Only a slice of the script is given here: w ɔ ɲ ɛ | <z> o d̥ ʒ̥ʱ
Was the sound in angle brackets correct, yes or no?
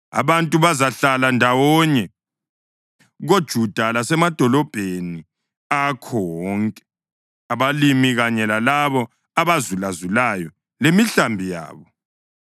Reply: no